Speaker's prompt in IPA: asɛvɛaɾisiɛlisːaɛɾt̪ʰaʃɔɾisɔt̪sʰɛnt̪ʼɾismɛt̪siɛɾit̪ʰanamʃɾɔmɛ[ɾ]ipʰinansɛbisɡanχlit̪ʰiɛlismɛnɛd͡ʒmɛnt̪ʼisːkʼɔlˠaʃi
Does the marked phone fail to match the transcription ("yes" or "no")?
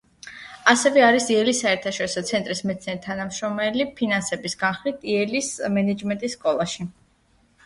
yes